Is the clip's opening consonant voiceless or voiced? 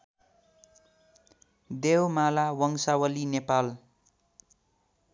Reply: voiced